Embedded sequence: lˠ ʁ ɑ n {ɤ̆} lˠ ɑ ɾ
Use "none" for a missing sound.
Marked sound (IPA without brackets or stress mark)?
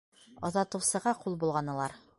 ɤ̆